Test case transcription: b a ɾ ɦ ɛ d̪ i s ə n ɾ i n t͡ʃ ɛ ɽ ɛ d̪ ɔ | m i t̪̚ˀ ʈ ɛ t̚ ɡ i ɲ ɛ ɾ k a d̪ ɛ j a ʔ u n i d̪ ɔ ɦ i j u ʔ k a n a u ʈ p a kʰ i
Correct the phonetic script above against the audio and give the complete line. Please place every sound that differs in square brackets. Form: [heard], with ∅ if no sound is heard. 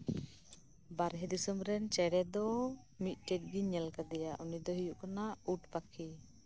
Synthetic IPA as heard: b a ɾ ɦ ɛ d̪ i s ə [m] ɾ [ɛ] n t͡ʃ ɛ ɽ ɛ d̪ ɔ | m i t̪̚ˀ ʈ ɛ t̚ ɡ i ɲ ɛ [l] k a d̪ ɛ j a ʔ u n i d̪ ɔ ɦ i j u ʔ k a n a u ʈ p a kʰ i